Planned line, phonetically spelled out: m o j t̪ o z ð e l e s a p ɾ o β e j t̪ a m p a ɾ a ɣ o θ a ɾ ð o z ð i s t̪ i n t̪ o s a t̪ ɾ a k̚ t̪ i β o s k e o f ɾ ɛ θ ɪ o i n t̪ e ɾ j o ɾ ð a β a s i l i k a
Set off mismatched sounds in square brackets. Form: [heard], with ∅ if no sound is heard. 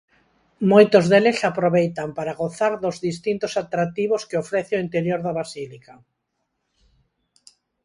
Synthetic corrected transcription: m o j t̪ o z ð e l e s a p ɾ o β e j t̪ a m p a ɾ a ɣ o θ a ɾ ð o z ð i s t̪ i n t̪ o s a t̪ ɾ a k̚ t̪ i β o s k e o f ɾ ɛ θ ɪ o i n t̪ e ɾ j o ɾ ð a β a s i l i k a